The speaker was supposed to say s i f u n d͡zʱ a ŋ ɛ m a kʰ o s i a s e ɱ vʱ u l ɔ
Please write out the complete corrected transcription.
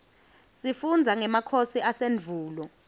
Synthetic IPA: s i f u n d͡zʱ a ŋ ɛ m a kʰ o s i a s e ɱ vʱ uː l ɔ